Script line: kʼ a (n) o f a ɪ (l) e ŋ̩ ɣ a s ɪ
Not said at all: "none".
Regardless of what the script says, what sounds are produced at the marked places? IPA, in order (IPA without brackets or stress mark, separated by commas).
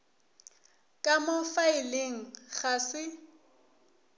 m, l